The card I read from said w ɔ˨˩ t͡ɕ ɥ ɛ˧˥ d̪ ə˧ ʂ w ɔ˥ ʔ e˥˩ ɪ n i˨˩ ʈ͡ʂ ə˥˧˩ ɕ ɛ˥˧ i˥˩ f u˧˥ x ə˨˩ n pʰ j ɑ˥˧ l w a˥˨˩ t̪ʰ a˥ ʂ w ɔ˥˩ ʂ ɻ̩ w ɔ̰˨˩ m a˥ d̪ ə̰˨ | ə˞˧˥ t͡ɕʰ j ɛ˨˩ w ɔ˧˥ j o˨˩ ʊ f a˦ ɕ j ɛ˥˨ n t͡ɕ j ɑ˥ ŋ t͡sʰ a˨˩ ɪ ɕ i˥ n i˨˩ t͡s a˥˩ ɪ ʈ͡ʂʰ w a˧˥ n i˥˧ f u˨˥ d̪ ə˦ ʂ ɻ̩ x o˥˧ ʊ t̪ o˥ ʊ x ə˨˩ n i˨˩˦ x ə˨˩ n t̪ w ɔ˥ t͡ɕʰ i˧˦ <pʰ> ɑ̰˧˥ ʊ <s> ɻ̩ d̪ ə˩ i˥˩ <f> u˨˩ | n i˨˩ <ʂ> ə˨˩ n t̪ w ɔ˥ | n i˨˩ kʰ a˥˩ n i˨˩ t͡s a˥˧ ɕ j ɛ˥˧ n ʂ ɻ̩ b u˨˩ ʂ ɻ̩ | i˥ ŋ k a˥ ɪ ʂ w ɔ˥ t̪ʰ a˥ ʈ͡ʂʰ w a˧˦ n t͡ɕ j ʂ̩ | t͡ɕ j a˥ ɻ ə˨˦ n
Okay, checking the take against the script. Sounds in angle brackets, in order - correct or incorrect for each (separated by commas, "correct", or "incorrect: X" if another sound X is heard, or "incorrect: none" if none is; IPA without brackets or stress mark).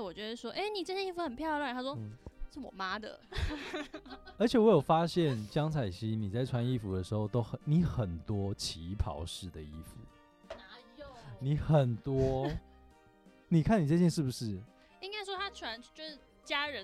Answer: correct, incorrect: ʂ, correct, incorrect: x